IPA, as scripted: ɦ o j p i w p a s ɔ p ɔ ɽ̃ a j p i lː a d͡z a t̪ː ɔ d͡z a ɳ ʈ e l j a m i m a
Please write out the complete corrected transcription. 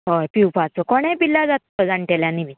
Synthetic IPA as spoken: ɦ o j p i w p a t͡s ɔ k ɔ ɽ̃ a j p i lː a d͡z a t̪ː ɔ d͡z a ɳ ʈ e l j a n i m i